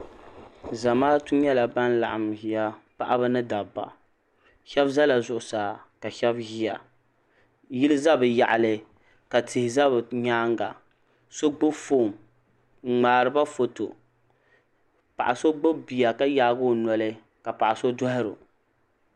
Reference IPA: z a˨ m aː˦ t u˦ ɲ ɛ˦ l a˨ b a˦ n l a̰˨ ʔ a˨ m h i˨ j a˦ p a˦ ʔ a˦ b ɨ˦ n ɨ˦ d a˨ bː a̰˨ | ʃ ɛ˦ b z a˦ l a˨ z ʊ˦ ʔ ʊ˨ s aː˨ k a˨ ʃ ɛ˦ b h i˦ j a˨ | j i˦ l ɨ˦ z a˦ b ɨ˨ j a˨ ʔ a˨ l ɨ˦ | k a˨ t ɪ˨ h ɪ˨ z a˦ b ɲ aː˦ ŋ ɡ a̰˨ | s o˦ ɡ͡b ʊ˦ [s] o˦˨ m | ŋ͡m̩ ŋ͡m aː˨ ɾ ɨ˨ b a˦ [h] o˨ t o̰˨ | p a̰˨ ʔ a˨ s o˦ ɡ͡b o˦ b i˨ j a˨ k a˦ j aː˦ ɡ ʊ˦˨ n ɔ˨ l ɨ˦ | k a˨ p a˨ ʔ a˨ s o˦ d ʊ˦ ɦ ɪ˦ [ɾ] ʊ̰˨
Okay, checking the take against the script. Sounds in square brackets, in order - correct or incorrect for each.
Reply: incorrect: f, incorrect: f, correct

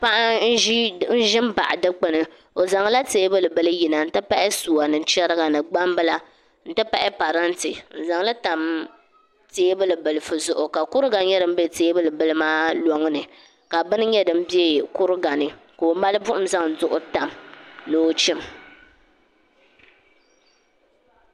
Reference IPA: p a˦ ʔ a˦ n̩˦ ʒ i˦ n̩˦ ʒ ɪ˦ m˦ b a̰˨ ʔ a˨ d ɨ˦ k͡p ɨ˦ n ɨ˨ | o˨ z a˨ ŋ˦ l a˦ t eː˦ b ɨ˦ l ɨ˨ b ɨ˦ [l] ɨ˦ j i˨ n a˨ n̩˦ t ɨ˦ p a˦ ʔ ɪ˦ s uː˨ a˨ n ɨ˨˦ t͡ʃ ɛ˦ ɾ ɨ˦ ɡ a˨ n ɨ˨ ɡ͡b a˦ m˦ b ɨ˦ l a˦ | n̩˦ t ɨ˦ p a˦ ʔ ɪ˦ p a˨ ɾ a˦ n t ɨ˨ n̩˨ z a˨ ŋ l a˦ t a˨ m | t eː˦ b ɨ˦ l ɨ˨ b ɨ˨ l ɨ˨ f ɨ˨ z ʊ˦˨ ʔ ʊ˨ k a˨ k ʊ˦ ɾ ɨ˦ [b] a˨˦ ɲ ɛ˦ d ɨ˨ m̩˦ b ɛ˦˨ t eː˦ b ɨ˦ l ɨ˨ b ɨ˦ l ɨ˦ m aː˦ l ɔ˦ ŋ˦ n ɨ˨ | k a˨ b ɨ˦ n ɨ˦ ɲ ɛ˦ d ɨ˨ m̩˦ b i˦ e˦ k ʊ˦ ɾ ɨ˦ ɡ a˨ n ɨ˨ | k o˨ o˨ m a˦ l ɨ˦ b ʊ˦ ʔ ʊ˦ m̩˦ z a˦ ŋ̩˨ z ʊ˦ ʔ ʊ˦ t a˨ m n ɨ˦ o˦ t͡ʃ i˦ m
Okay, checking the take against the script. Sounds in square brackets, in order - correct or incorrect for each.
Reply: correct, incorrect: ɡ

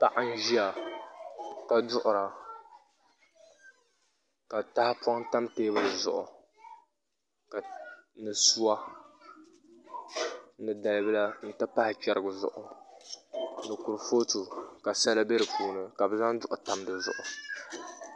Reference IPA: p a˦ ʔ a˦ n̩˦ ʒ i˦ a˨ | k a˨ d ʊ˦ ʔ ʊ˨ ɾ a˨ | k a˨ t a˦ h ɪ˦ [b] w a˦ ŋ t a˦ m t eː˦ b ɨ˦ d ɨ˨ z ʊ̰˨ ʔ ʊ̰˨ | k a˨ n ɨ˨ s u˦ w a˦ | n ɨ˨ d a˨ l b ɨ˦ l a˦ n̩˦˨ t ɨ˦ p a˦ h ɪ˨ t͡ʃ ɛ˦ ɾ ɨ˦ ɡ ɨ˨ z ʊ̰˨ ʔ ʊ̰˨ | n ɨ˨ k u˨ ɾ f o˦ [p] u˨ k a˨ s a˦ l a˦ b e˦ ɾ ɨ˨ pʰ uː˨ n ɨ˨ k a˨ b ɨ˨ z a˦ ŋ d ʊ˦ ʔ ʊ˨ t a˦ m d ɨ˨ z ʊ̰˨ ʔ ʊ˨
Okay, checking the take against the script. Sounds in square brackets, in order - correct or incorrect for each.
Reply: incorrect: p, incorrect: t

